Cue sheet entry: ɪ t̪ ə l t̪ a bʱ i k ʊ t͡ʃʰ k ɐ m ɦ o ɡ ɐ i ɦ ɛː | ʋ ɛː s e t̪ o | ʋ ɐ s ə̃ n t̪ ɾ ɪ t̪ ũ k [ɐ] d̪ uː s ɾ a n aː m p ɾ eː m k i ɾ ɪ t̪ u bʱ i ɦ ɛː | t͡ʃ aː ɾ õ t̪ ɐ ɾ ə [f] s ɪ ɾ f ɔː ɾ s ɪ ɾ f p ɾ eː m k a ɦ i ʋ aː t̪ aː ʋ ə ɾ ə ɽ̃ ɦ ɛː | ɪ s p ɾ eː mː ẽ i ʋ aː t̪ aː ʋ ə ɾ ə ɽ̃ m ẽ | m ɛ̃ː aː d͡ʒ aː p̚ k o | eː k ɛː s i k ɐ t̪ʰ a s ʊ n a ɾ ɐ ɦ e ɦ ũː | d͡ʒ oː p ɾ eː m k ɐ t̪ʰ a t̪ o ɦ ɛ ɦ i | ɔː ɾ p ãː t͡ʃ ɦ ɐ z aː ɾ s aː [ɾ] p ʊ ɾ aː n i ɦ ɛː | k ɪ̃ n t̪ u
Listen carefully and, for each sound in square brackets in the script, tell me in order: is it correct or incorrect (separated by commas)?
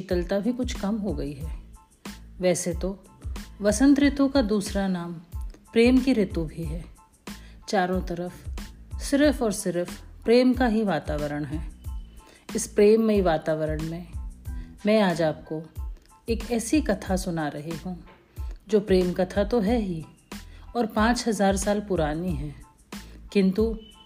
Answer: incorrect, correct, incorrect